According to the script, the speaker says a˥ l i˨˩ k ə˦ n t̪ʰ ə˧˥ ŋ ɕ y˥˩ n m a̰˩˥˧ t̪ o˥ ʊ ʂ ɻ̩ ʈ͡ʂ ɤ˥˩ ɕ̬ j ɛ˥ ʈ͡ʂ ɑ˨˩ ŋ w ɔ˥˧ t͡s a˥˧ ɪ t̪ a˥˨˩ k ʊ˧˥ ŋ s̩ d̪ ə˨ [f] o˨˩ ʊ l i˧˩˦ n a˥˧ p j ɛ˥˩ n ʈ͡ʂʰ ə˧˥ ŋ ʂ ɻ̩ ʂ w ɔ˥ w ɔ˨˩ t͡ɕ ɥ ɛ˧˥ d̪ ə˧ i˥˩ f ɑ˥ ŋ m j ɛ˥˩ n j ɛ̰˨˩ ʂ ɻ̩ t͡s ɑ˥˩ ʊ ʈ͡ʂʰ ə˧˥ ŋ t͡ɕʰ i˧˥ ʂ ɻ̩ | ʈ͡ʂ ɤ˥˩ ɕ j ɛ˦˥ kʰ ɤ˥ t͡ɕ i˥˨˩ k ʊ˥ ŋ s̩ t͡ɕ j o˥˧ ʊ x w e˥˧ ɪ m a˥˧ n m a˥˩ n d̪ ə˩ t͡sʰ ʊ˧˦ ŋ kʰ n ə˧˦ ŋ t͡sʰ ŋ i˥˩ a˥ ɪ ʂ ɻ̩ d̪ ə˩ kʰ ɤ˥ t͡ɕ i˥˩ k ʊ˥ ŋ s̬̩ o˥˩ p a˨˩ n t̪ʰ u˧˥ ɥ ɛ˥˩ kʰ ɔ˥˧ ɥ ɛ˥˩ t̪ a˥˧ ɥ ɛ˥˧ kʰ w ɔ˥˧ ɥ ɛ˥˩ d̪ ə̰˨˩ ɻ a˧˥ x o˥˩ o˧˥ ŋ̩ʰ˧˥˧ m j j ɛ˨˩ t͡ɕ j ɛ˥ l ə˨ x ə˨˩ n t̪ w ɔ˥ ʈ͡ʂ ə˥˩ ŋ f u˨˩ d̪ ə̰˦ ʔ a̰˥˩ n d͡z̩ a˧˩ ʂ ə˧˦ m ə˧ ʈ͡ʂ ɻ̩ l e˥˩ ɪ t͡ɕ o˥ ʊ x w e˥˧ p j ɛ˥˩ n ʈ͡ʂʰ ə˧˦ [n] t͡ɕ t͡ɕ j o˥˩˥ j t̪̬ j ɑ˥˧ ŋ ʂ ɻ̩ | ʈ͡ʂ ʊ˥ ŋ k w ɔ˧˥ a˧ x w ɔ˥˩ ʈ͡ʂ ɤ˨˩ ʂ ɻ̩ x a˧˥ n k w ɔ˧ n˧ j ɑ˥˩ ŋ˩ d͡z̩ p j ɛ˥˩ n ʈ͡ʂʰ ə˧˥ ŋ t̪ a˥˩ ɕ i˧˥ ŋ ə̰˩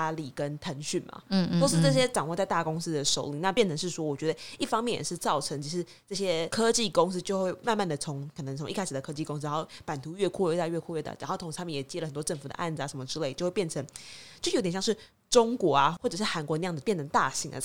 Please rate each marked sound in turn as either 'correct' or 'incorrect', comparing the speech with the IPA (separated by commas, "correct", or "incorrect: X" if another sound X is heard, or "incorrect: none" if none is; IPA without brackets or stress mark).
incorrect: ʂ, incorrect: ŋ